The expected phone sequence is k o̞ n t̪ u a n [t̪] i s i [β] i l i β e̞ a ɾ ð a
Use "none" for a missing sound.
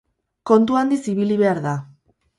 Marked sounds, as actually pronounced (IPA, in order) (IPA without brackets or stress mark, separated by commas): d̪, β